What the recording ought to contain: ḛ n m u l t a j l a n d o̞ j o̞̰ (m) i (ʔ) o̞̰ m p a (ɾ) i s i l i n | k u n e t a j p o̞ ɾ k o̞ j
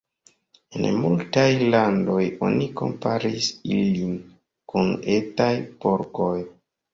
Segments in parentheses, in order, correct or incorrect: incorrect: n, incorrect: k, correct

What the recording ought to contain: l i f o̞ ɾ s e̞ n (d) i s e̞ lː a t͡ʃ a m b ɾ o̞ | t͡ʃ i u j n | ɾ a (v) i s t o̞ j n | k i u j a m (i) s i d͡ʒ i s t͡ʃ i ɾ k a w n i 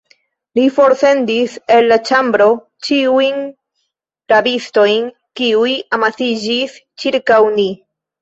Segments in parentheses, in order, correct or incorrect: correct, incorrect: b, incorrect: a

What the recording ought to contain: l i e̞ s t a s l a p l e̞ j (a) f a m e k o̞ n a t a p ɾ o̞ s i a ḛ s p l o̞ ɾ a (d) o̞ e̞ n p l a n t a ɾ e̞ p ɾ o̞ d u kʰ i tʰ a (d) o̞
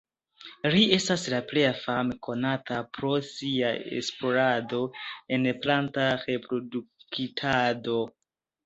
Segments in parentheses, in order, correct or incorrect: correct, correct, correct

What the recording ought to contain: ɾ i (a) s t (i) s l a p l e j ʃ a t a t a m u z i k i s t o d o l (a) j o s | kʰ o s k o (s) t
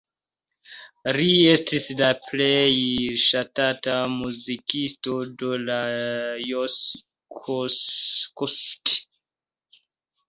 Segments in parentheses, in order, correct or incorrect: incorrect: e, correct, correct, correct

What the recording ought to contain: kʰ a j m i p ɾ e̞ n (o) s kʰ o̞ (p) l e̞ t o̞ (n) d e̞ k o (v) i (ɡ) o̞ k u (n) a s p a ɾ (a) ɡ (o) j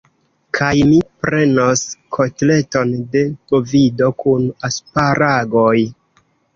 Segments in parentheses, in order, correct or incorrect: correct, incorrect: t, correct, correct, incorrect: d, correct, correct, correct

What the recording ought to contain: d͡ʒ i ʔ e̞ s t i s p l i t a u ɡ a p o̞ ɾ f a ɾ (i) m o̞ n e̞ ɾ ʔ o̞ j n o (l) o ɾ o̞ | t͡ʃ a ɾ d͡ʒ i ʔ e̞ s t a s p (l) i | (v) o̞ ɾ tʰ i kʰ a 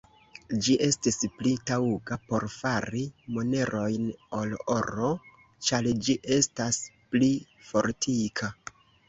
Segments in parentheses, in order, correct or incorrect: correct, correct, correct, incorrect: f

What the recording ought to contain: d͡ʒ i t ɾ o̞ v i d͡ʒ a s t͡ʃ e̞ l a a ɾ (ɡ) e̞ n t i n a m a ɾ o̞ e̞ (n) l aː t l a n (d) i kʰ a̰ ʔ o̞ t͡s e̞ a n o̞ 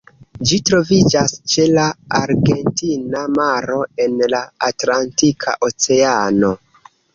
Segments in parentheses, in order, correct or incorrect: correct, correct, incorrect: t

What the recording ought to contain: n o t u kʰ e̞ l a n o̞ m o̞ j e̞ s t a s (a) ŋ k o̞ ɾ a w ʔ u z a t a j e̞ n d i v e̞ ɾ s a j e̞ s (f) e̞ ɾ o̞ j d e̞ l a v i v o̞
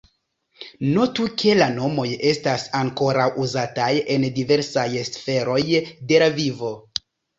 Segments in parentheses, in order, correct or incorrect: correct, correct

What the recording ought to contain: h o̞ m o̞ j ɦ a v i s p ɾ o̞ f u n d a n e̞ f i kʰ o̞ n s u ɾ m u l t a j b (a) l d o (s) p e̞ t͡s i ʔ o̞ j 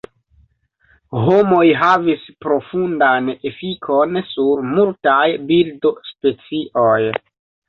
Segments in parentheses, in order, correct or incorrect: incorrect: i, correct

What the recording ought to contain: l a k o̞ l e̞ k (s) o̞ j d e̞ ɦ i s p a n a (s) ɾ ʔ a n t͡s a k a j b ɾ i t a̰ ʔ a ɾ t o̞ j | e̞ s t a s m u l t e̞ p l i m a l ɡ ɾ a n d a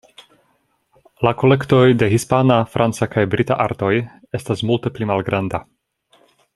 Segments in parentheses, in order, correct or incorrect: incorrect: t, incorrect: f

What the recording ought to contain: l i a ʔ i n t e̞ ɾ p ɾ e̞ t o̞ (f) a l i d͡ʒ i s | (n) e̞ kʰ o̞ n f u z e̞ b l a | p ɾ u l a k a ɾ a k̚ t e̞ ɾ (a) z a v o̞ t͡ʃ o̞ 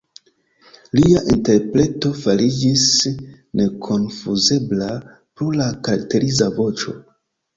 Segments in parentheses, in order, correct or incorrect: correct, correct, incorrect: i

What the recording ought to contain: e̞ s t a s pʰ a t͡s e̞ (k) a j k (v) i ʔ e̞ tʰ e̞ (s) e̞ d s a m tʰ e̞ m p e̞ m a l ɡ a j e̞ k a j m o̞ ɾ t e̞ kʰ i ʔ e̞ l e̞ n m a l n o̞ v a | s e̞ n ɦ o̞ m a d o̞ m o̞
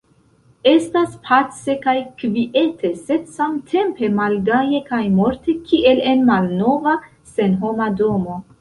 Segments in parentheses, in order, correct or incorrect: correct, correct, correct

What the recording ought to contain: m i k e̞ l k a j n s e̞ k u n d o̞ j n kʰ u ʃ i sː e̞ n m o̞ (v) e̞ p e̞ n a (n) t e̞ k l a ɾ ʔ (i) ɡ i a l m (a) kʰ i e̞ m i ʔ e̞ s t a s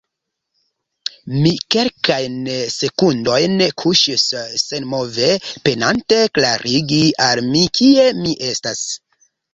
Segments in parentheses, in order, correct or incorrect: correct, correct, correct, incorrect: i

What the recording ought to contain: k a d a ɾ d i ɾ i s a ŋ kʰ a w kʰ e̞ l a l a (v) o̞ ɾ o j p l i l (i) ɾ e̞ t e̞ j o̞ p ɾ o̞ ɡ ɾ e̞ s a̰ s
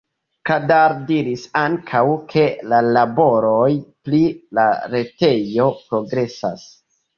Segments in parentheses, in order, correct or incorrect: incorrect: b, incorrect: a

